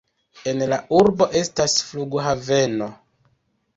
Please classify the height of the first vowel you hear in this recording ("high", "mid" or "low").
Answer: mid